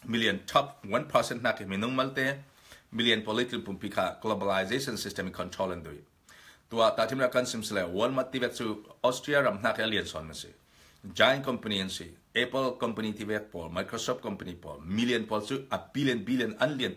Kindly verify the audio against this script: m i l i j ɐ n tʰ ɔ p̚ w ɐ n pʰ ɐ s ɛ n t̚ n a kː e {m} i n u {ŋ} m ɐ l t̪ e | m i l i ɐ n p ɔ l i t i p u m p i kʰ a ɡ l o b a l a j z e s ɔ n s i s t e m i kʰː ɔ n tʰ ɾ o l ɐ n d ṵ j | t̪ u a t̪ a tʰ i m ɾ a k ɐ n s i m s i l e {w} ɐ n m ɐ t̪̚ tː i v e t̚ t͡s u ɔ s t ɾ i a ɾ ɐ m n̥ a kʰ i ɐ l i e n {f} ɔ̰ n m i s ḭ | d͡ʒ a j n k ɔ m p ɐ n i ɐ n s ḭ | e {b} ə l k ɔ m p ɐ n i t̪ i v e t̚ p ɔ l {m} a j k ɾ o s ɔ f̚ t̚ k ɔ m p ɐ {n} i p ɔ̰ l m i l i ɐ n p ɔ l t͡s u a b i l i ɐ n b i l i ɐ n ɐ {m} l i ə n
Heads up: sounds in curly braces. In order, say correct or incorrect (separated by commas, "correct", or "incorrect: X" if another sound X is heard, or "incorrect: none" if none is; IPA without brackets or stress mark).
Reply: correct, correct, correct, incorrect: s, incorrect: p, correct, correct, incorrect: n